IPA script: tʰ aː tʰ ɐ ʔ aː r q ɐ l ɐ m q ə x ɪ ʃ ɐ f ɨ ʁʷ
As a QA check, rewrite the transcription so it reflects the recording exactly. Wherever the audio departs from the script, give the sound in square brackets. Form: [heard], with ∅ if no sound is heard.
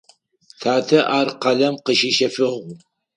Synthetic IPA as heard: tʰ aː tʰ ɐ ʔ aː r q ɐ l ɐ m q ə [ʃ] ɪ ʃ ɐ f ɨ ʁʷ